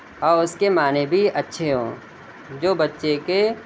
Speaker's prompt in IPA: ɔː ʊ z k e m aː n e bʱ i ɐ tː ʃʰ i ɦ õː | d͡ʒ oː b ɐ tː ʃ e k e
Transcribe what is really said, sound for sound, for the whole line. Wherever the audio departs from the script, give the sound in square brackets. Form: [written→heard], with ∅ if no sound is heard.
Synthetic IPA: ɔː ʊ [z→s] k e m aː n e bʱ i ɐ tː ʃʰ [i→e] ɦ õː | d͡ʒ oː b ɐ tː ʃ e k e